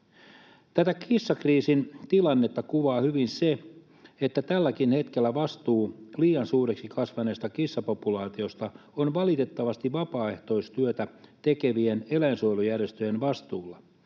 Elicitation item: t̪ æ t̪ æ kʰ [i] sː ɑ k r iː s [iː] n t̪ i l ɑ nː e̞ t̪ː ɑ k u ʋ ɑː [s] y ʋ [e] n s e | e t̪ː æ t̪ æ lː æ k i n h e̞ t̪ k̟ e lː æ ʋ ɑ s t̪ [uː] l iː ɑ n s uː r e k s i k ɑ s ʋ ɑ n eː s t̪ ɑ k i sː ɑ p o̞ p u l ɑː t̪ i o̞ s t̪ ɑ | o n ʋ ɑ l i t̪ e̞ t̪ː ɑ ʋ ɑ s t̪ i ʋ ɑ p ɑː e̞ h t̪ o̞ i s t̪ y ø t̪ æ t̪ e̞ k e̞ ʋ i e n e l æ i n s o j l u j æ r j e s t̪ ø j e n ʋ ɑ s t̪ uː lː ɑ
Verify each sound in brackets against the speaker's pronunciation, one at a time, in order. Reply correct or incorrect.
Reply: correct, incorrect: i, incorrect: h, incorrect: i, correct

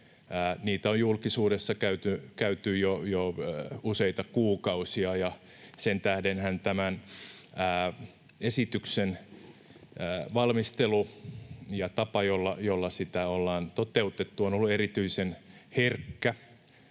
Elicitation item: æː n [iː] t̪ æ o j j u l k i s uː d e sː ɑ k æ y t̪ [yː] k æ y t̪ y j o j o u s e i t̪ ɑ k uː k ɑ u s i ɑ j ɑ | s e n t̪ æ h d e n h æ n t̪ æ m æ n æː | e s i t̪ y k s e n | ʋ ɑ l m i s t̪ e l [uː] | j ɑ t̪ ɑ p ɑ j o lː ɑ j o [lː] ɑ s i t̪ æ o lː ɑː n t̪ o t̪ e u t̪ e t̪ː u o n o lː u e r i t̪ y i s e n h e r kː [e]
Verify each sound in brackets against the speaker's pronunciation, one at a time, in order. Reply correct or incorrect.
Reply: correct, incorrect: y, incorrect: u, correct, incorrect: æ

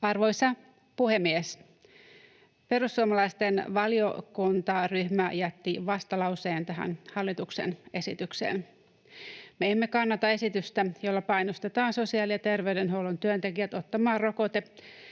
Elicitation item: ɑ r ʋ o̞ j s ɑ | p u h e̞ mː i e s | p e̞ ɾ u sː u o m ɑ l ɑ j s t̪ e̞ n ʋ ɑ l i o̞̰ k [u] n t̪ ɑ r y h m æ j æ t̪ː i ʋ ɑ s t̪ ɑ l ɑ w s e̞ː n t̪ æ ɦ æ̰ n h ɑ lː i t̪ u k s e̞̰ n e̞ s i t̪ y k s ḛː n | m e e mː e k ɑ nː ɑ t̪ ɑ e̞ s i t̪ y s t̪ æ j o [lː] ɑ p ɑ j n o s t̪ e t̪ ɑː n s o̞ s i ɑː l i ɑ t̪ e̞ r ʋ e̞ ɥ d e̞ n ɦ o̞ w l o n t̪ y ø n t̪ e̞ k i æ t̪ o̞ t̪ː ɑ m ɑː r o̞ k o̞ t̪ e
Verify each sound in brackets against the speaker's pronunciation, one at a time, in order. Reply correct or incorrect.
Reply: correct, correct

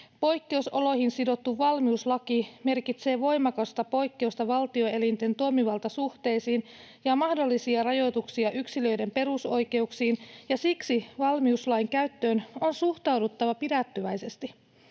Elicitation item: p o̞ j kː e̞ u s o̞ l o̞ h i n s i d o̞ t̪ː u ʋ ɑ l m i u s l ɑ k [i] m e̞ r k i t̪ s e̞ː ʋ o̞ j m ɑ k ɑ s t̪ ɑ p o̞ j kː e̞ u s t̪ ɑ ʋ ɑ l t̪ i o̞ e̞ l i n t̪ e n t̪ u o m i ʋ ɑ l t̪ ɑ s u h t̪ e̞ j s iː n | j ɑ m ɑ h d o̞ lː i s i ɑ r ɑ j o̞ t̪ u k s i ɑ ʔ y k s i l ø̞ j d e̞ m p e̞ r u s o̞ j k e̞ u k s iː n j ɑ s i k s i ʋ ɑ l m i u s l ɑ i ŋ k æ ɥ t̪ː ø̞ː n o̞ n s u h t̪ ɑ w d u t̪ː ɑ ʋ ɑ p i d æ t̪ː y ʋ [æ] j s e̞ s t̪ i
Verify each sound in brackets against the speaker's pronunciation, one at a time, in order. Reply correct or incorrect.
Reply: correct, correct

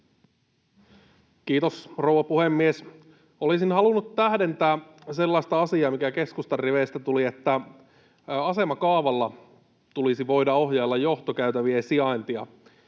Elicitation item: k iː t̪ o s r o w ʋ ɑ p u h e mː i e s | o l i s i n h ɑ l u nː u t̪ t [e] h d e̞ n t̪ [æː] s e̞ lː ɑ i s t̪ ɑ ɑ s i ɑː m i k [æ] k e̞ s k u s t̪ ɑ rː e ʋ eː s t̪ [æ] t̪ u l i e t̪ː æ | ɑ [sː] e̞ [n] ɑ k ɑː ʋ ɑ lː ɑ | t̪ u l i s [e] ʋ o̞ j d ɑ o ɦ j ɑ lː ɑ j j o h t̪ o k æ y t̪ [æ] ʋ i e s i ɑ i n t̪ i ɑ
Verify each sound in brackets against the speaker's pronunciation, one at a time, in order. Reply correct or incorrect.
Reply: incorrect: æ, correct, correct, correct, incorrect: s, incorrect: m, incorrect: i, correct

